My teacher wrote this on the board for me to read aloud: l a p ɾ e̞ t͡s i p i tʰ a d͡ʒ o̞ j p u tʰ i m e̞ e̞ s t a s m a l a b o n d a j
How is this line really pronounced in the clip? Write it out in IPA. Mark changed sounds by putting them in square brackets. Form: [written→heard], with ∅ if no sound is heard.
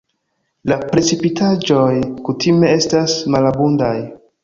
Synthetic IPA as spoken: l a p ɾ e̞ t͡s i p i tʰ a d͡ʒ o̞ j [p→k] u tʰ i m e̞ e̞ s t a s m a l a b [o→u] n d a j